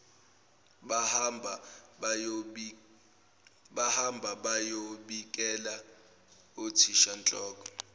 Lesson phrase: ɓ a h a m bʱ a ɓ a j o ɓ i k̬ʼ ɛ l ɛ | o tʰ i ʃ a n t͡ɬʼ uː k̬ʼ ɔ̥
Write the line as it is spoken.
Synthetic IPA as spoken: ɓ a h a m bʱ a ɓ a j o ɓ i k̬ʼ ɛ l a | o tʰ i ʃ a n t͡ɬʼ ɔː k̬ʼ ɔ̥